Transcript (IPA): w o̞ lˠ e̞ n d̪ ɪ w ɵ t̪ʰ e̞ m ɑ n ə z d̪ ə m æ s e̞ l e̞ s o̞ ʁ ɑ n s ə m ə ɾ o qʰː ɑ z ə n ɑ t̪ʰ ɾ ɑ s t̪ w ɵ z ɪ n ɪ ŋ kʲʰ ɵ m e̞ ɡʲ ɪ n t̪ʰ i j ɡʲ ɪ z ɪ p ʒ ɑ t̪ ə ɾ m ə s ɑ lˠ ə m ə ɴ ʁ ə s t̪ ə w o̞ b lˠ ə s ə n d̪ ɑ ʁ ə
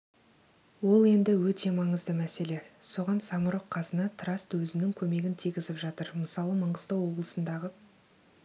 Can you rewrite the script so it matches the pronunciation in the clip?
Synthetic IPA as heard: w o̞ lˠ e̞ n d̪ ɪ w ɵ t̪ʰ e̞ m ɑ ɴ ə z d̪ ə m æ s e̞ l e̞ s o̞ ʁ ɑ n s ɑ m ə ɾ o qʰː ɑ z ə n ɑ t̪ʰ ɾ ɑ s t̪ w ɵ z ɪ n ɪ ŋ kʲʰ ɵ m e̞ ɡʲ ɪ n t̪ʰ i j ɡʲ ɪ z ɪ p ʒ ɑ t̪ ə ɾ m ə s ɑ lˠ ə m ə ɴ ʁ ə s t̪ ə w o̞ b lˠ ə s ə n d̪ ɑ ʁ ə